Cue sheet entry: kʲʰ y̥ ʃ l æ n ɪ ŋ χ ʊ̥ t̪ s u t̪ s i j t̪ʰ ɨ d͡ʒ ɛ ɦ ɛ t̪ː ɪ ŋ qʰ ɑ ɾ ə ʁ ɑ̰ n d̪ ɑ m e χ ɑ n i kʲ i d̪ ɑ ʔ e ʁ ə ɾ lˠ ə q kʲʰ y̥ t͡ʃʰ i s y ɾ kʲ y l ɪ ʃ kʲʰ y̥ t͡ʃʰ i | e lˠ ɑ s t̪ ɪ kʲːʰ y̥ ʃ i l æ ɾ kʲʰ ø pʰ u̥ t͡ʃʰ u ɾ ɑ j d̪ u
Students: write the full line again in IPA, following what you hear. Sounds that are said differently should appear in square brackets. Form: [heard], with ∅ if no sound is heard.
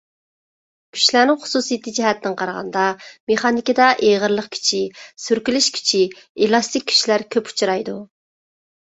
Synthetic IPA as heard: kʲʰ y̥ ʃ l æ n ɪ ŋ χ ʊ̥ [∅] s u [∅] s i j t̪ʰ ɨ d͡ʒ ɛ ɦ ɛ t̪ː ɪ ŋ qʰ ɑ ɾ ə ʁ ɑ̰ n d̪ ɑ m e χ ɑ n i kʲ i d̪ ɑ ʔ e ʁ ə ɾ lˠ ə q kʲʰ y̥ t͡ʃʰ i s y ɾ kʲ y l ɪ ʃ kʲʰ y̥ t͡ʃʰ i | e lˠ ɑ s t̪ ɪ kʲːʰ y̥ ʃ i l æ ɾ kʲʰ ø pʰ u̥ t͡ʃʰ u ɾ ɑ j d̪ u